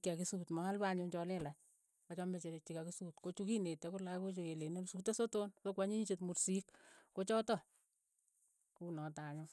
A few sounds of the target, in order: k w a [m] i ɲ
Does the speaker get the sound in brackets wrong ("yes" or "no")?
yes